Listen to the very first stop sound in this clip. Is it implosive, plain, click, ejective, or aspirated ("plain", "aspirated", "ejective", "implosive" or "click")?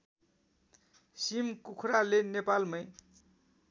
plain